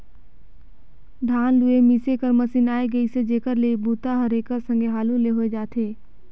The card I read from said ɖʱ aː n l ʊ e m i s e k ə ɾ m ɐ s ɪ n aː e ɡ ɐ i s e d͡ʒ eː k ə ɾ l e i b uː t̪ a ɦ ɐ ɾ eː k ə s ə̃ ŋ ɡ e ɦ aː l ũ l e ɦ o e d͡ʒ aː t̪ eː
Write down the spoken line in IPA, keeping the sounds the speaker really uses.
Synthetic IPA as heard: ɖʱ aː n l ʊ e m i s e k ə ɾ m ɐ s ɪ n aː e ɡ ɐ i s e d͡ʒ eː k ə ɾ l e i b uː t̪ a ɦ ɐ ɾ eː k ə s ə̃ ŋ ɡ e ɦ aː l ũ l e ɦ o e d͡ʒ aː t̪ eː